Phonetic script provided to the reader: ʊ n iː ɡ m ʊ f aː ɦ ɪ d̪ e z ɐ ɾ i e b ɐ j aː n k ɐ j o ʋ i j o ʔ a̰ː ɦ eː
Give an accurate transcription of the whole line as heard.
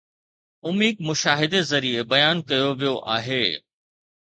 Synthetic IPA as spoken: ʊ m iː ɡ m ʊ ʃ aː ɦ ɪ d̪ e z ɐ ɾ i e b ɐ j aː n k ɐ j o ʋ i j o ʔ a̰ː ɦ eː

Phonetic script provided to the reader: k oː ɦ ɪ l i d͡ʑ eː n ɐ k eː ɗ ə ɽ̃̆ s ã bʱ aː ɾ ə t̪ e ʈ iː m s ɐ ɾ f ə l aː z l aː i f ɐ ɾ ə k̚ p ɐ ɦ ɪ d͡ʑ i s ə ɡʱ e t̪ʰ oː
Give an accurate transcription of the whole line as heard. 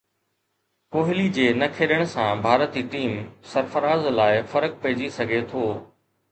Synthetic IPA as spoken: k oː ɦ ɪ l i d͡ʑ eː n ɐ kʰ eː ɗ ə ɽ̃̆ s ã bʱ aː ɾ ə t̪ i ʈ iː m s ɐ ɾ f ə ɾ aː z l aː ɪ f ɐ ɾ ə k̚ p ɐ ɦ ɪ d͡ʑ i s ɐ ɡʱ e t̪ʰ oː

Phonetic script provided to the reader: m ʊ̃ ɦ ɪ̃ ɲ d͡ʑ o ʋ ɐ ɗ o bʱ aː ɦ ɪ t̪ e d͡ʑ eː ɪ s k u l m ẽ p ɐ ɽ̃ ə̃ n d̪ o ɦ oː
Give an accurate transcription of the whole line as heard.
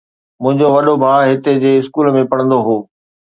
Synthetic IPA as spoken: m ʊ̃ ɦ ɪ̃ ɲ d͡ʑ o ʋ ɐ ɗ o bʱ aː ɦ ɪ t̪ e d͡ʑ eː ɪ s k uː l m ẽ p ɐ ɽ̃ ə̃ n d̪ o ɦ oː

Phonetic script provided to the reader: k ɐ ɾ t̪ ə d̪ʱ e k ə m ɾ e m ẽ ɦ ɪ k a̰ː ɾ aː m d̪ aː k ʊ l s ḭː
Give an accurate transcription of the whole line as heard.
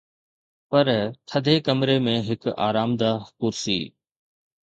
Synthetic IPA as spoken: p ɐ ɾ t̪ʰ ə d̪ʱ e k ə m ɾ e m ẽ ɦ ɪ k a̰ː ɾ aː m d̪ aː k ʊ ɾ s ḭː

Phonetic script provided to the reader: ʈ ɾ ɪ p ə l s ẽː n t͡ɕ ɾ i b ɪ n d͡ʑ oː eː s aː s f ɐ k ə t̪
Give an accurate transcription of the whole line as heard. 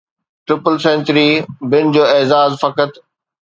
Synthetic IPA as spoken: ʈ ɾ ɪ p ə l s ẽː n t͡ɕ ɾ i b ɪ n d͡ʑ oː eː z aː z f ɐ k ə t̪

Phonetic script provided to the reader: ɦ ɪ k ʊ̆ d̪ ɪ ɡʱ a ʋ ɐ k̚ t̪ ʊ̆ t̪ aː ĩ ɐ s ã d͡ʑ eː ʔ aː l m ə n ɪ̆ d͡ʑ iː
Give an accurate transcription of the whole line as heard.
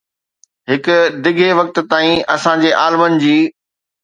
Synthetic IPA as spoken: ɦ ɪ k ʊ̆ d̪ ɪ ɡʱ e ʋ ɐ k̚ t̪ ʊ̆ t̪ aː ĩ ɐ s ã d͡ʑ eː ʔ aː l m ə n ɪ̆ d͡ʑ iː

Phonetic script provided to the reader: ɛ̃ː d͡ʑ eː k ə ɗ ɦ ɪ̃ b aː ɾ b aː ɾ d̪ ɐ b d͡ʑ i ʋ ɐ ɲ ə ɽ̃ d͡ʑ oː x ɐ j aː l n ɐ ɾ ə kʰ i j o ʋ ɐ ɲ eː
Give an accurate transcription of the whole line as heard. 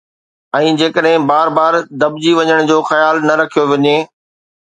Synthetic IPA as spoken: ɛ̃ː d͡ʑ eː k ə ɗ ɦ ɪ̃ b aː ɾ b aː ɾ d̪ ɐ b d͡ʑ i ʋ ɐ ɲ ə ɽ̃ d͡ʑ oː x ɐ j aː l n ɐ ɾ ɐ kʰ i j o ʋ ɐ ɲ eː

